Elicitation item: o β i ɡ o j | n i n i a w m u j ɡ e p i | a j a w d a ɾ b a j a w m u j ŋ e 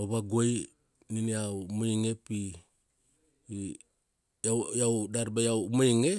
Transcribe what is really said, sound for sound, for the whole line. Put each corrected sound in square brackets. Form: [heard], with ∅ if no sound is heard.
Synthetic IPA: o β [a] ɡ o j | n i n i a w m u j [ŋ] e p i | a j a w d a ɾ b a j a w m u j ŋ e